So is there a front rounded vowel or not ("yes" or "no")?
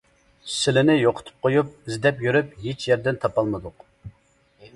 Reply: yes